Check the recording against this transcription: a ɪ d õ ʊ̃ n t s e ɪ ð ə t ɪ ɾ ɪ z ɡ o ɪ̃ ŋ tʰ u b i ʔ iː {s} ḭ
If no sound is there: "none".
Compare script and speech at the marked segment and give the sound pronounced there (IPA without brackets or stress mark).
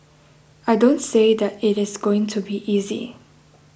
z